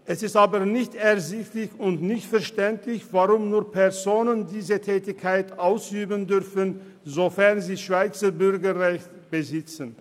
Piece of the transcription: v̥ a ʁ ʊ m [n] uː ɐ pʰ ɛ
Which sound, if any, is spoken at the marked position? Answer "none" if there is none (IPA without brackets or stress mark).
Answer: n